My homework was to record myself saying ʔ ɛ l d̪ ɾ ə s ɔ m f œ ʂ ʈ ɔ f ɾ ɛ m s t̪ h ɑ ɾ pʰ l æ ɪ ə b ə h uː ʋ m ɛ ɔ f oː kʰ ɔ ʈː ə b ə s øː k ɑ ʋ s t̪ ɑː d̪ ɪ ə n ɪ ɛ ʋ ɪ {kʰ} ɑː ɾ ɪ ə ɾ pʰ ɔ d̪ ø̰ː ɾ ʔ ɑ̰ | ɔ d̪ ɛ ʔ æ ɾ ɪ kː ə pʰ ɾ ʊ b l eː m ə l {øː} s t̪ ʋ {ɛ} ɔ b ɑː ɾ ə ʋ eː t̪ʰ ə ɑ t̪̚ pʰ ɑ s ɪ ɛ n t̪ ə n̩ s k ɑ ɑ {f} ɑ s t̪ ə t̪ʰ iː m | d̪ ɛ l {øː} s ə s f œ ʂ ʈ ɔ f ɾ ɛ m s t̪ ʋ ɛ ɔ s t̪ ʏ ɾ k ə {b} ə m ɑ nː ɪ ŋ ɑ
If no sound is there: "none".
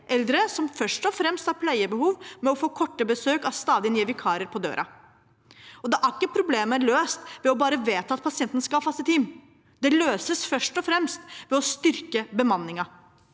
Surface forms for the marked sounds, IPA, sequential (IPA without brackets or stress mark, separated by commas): kʰ, øː, ɛ, f, øː, b